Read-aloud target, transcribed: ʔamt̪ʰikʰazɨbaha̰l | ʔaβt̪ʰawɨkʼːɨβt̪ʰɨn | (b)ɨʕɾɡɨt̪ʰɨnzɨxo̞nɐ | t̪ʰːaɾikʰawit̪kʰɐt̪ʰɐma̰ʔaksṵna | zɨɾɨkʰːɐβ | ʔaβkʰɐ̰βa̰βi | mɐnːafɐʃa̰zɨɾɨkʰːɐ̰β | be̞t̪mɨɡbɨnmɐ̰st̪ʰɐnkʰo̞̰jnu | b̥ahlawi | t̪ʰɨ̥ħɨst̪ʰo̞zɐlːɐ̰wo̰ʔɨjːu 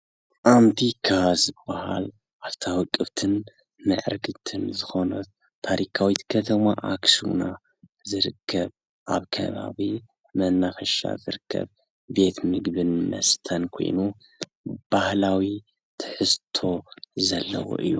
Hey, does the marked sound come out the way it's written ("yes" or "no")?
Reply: no